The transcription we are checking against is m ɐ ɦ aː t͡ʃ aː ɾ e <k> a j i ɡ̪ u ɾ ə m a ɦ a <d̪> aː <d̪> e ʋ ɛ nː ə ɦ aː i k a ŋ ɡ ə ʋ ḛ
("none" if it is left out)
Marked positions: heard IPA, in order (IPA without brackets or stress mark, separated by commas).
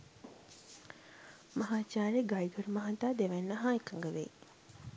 ɡ, t̪, d̪